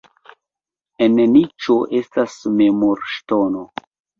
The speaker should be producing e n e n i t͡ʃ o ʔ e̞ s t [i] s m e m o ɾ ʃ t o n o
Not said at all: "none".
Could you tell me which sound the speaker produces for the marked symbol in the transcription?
a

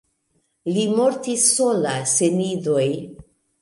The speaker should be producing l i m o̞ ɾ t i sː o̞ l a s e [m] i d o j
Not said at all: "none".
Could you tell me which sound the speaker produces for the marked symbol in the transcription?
n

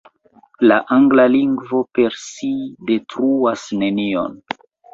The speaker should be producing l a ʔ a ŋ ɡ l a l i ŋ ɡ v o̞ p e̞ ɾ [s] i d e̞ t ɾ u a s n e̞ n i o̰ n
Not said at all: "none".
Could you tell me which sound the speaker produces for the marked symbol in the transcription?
s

